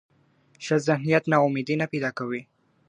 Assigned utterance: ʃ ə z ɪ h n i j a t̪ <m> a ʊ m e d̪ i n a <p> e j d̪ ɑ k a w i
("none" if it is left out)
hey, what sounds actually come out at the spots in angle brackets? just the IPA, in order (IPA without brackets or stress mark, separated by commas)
n, p